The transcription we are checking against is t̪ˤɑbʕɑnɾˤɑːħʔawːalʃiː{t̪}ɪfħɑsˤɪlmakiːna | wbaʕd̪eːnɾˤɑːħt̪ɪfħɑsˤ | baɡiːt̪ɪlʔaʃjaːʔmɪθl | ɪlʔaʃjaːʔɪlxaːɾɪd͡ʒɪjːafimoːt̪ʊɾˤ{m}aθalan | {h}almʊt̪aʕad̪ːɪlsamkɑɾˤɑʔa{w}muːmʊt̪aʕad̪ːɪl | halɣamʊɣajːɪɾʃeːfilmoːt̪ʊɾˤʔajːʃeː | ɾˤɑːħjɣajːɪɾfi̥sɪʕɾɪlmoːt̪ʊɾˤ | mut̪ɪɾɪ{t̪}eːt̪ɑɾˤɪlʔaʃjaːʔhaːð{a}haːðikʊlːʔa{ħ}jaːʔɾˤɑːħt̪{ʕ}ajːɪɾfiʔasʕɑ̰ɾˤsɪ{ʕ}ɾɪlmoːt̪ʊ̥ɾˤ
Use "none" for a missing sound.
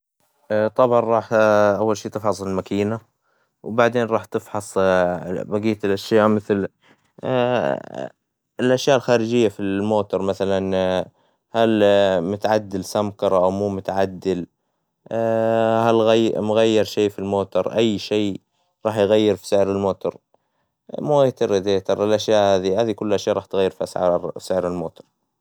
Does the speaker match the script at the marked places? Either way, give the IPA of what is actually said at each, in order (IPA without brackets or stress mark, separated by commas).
t̪, m, h, w, d̪, i, ʃ, ɣ, ʕ